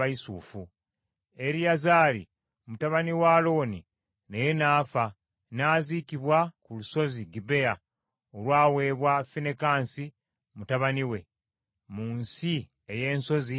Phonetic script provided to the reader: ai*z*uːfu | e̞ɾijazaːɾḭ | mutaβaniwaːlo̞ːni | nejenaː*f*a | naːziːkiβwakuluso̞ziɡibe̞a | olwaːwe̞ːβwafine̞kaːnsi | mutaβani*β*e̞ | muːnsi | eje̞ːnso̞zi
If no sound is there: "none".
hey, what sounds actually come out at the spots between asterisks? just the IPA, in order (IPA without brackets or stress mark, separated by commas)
s, f, w